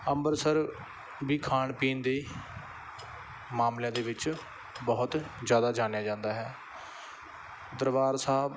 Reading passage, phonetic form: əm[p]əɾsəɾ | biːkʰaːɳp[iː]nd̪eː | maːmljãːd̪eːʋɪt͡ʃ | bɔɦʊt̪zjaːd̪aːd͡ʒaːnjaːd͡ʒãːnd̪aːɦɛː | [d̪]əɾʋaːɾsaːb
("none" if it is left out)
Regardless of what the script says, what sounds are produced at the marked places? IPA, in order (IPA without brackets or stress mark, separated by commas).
b, iː, d̪